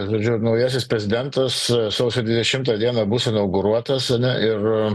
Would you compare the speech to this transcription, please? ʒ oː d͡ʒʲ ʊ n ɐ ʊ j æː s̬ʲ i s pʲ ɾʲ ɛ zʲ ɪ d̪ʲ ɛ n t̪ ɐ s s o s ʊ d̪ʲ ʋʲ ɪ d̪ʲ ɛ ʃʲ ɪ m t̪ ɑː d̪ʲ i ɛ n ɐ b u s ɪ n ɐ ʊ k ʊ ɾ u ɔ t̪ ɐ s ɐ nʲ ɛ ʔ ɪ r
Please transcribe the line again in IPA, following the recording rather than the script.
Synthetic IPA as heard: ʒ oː d͡ʒʲ ʊ n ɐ ʊ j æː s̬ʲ ɪ s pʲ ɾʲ ɛ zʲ ɪ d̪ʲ ɛ n t̪ ɐ s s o s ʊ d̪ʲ ʋʲ ɪ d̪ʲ ɛ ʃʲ ɪ m t̪ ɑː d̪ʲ i ɛ n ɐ b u s ɪ n ɐ ʊ ɡ ʊ ɾ u ɔ t̪ ɐ s ɐ nʲ ɛ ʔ ɪ r